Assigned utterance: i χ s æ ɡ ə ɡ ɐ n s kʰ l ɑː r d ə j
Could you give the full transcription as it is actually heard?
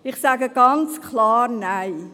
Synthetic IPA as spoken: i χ s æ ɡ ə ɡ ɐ n s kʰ l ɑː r n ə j